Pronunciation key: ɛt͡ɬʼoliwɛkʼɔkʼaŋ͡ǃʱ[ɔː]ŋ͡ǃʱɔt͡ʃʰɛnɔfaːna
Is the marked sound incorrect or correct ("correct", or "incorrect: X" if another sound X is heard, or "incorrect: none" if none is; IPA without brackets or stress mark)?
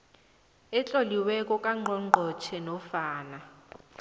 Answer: incorrect: ɔ